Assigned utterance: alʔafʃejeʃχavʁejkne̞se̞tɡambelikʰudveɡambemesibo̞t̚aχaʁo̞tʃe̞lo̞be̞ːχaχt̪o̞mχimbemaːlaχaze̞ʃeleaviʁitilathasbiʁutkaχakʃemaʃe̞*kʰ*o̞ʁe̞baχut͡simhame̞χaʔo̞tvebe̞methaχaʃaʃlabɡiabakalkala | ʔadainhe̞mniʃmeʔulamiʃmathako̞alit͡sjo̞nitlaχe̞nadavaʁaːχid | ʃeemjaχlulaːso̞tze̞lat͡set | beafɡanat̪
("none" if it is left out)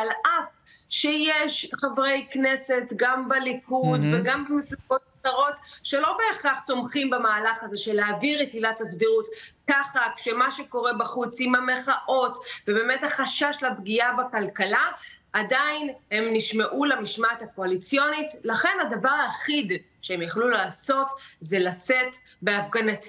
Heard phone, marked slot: k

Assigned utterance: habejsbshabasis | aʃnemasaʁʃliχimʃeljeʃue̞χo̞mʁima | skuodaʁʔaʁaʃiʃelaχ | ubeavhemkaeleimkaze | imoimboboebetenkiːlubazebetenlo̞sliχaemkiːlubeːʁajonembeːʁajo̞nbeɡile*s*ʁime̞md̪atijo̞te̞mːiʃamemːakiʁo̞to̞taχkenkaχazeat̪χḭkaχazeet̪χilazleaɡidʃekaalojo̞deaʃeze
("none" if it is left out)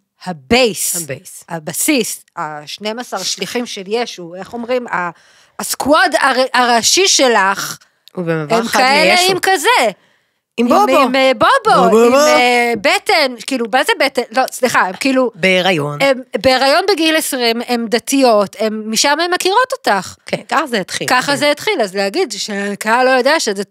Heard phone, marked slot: s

